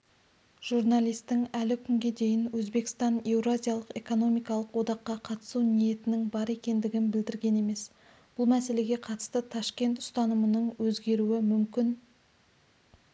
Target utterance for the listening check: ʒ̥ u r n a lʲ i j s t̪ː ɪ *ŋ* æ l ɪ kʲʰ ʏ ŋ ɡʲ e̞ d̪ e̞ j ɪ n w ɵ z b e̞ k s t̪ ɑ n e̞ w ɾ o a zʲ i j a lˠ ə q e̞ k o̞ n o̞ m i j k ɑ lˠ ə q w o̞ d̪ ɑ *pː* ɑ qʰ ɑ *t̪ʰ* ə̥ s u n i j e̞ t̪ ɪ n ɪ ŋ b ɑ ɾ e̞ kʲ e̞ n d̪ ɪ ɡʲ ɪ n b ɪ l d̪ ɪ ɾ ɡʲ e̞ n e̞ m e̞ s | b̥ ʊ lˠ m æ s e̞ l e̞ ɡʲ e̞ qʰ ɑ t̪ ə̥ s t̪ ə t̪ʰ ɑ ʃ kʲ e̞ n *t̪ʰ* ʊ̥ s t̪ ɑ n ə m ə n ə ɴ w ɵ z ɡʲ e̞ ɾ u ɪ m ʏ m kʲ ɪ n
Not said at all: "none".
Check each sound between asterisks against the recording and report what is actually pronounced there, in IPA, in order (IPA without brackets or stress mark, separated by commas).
ŋ, qː, t̪, t̪